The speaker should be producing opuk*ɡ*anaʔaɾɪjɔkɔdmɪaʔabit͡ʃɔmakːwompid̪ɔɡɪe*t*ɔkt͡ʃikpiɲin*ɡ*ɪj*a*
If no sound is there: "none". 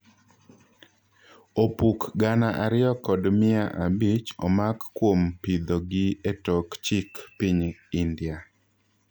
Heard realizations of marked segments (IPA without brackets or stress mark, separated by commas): ɡ, t, d, a